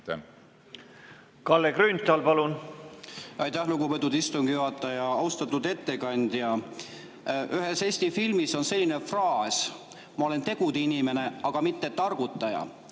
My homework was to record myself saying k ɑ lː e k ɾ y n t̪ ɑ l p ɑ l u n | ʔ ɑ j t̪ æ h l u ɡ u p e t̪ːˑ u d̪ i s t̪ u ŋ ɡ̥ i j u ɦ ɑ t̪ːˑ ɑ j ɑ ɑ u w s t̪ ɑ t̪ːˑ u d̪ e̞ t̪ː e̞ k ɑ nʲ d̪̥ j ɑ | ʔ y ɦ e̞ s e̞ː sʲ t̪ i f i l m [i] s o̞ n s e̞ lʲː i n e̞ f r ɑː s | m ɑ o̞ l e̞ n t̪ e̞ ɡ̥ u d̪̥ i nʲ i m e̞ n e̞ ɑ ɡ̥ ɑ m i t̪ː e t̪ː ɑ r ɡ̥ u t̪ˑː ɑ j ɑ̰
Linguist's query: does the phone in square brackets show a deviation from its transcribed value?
no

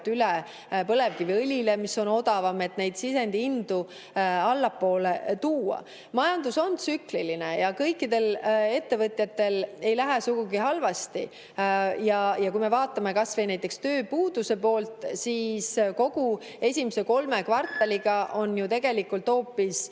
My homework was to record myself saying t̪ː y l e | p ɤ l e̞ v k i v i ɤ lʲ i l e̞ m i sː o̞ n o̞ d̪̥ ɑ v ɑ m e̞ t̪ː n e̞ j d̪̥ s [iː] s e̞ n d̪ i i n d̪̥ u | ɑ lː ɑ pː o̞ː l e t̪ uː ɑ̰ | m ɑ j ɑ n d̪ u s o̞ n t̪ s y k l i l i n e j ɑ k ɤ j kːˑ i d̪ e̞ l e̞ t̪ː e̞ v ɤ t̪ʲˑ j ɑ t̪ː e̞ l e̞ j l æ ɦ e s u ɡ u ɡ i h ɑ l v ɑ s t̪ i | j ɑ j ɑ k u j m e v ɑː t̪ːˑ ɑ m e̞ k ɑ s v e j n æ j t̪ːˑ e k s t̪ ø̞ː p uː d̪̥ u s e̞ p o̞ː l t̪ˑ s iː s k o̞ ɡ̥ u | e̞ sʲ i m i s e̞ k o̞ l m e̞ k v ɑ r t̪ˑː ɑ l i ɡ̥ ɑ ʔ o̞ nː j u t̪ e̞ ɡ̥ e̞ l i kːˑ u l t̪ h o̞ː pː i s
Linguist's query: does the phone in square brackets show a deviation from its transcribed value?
yes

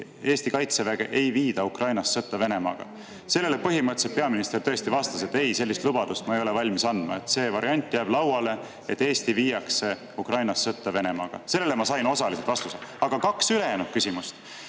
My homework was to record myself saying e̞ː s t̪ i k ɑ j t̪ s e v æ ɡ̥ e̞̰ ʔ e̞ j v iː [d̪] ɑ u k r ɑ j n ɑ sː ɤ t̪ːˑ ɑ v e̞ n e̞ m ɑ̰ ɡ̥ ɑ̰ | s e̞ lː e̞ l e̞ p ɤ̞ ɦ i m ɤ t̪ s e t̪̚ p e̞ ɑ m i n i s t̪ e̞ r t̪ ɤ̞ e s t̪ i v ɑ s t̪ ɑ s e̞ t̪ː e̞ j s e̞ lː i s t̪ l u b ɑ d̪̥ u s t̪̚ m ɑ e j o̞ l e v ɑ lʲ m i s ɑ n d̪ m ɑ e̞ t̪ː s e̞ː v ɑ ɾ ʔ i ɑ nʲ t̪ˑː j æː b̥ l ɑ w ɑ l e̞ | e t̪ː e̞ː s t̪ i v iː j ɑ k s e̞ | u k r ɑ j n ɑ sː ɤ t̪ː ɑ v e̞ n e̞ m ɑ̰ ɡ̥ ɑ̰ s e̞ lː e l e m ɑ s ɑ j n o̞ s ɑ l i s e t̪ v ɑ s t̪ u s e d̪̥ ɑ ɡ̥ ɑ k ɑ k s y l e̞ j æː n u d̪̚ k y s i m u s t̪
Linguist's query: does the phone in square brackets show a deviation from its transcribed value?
no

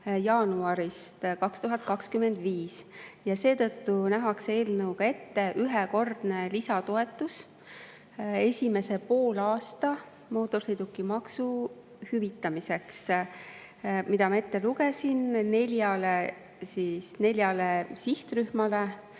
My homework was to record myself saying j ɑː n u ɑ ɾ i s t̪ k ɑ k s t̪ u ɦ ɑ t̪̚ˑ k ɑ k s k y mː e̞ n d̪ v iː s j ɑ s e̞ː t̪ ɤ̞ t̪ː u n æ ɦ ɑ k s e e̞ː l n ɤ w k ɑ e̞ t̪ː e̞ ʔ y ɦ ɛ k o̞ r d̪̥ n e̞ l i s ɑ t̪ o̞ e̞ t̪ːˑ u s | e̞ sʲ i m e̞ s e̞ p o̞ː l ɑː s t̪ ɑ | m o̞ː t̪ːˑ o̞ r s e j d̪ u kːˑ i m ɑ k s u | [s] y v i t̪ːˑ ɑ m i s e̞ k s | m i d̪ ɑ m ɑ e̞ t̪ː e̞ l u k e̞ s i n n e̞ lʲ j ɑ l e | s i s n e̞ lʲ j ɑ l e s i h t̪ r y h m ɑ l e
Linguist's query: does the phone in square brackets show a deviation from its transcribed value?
yes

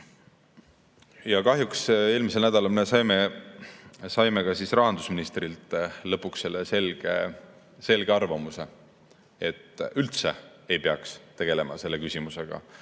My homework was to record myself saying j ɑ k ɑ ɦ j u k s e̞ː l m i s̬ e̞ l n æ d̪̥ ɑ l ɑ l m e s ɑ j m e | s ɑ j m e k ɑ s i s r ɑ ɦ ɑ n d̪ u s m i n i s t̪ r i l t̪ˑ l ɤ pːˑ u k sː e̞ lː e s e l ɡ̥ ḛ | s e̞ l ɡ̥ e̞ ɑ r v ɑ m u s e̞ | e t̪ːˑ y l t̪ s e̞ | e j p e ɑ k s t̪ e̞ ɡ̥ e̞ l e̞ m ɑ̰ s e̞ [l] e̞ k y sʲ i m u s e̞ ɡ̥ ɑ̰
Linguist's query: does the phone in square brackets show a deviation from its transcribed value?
yes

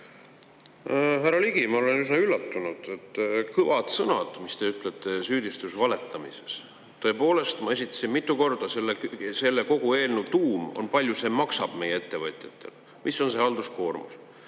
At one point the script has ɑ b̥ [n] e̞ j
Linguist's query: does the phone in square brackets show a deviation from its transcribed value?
yes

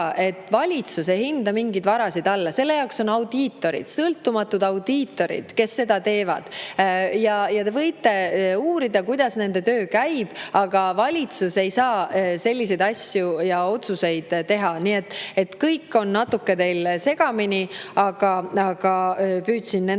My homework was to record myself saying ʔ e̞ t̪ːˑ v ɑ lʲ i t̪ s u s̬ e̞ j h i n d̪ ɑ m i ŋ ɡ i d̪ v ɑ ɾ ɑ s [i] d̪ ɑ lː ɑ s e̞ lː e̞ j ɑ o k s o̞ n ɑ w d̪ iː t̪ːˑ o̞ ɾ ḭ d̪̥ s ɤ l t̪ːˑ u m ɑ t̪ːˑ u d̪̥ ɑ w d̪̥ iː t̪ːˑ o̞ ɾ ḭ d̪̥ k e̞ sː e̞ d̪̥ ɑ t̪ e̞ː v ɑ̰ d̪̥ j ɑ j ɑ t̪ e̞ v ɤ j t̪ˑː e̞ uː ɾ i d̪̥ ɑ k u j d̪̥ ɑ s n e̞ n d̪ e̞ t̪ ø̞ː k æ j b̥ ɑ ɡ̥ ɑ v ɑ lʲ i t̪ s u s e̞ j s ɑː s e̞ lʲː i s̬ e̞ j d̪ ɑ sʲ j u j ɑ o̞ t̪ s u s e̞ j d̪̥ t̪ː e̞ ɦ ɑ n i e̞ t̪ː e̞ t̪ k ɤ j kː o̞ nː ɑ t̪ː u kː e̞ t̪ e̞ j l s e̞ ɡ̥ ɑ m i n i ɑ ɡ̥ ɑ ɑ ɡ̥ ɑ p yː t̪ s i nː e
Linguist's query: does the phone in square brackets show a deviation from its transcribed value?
no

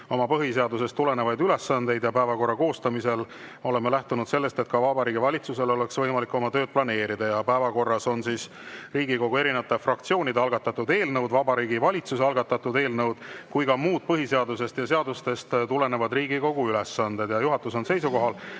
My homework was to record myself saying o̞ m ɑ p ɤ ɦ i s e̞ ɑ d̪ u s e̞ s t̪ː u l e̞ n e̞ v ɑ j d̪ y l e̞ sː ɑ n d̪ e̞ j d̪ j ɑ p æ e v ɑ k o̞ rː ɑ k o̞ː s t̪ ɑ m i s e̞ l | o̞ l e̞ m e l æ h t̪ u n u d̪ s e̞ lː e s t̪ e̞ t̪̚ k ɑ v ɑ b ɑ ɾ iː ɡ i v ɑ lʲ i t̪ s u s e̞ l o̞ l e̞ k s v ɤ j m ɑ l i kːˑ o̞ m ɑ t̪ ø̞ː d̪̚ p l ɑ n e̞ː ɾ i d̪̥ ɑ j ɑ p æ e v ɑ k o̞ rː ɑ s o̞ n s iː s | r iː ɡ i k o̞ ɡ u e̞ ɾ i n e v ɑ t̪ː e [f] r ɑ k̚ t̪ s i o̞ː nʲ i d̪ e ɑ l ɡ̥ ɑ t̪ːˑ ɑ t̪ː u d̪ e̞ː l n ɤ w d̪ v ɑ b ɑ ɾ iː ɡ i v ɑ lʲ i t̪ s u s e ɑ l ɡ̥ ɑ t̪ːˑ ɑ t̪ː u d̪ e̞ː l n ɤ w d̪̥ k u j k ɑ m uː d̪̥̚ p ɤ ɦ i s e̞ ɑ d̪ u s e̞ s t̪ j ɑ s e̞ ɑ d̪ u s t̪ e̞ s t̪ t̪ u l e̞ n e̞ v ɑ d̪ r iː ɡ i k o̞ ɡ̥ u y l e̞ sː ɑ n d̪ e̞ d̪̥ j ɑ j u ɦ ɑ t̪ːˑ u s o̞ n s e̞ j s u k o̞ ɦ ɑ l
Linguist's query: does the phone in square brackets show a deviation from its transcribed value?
no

